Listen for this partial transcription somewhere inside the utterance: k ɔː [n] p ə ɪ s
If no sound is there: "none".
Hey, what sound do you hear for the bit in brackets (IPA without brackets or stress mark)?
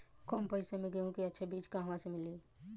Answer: m